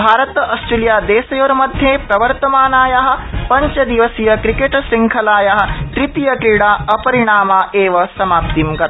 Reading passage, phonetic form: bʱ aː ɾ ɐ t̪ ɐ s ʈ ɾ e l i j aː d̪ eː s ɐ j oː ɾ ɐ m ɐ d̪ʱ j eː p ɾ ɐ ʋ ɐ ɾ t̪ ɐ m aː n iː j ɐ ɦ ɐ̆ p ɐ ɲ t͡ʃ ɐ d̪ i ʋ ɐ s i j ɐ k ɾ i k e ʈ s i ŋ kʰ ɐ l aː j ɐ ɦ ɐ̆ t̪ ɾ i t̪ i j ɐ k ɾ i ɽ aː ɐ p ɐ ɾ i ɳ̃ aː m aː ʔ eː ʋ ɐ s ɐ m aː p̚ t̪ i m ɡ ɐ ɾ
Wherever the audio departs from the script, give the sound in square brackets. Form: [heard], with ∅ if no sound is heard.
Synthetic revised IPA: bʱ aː ɾ ɐ t̪ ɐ s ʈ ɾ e l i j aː d̪ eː s ɐ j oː ɾ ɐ m ɐ d̪ʱ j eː p ɾ ɐ ʋ ɐ ɾ t̪ ɐ m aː n [aː] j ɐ ɦ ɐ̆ p ɐ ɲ t͡ʃ ɐ d̪ i ʋ ɐ s i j ɐ k ɾ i k e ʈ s i ŋ kʰ ɐ l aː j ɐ ɦ ɐ̆ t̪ ɾ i t̪ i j ɐ k ɾ i ɽ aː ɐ p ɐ ɾ i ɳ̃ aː m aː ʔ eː ʋ ɐ s ɐ m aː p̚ t̪ i m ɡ ɐ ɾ